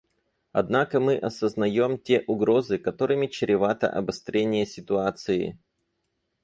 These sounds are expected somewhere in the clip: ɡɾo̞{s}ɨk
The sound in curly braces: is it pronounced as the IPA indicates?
no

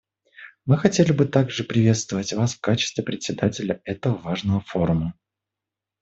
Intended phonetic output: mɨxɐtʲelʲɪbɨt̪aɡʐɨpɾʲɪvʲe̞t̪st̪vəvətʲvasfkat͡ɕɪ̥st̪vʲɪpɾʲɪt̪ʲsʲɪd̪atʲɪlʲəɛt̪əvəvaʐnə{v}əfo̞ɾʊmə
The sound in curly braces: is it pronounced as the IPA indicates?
yes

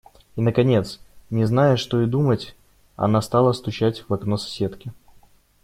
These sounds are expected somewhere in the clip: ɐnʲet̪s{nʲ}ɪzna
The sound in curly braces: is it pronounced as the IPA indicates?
yes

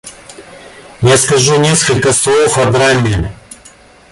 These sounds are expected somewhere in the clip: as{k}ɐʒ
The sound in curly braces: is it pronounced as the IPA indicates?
yes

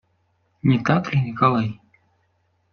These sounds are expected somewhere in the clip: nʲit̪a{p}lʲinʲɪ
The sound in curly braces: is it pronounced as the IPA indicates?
no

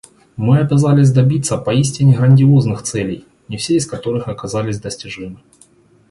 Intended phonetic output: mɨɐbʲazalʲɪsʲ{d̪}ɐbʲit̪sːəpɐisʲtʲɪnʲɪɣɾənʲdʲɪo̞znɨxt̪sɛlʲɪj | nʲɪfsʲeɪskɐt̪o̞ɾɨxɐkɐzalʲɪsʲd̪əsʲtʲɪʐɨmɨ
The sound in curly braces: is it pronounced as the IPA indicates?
yes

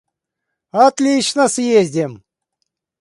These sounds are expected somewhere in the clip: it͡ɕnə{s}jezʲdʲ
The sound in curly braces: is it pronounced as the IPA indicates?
yes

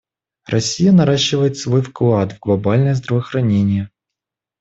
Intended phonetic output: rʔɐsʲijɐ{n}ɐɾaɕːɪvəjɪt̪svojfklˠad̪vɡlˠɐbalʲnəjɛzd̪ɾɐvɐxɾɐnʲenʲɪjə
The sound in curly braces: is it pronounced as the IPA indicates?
yes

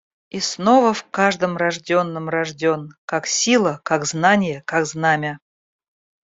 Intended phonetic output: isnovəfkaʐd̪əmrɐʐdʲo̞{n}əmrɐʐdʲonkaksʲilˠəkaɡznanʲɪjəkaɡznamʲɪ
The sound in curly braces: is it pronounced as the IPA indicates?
no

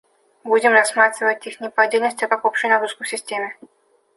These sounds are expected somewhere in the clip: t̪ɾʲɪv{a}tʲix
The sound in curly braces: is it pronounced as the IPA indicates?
no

